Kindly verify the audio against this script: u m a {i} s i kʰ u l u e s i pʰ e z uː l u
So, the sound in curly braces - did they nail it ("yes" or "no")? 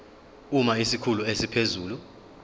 yes